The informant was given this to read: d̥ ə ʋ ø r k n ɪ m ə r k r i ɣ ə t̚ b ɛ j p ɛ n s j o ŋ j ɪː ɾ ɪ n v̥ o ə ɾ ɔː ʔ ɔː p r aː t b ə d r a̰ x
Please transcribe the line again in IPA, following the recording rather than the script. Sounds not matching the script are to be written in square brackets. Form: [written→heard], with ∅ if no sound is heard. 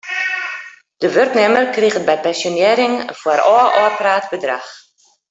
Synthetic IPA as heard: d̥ ə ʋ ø r k n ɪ m ə r k r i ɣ ə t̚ b ɛ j p ɛ n s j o [ŋ→n] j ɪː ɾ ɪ [n→ŋ] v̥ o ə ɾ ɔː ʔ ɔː p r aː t b ə d r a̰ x